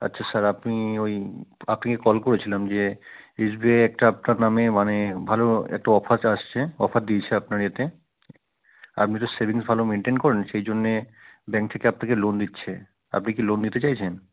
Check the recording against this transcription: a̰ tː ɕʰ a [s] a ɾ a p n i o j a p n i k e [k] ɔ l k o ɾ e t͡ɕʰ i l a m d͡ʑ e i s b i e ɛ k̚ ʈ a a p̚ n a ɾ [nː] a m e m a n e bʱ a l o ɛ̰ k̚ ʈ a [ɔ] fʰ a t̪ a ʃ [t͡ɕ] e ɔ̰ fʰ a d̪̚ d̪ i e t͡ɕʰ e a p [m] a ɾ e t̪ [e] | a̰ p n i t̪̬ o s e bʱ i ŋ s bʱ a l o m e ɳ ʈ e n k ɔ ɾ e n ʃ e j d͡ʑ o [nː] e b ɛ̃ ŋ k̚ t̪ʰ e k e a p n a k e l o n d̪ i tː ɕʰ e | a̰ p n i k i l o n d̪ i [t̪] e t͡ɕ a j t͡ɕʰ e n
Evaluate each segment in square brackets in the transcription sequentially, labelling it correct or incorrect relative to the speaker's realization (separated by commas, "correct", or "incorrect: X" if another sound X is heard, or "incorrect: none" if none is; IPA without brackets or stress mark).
correct, correct, incorrect: n, correct, incorrect: t͡ɕʰ, incorrect: n, correct, correct, correct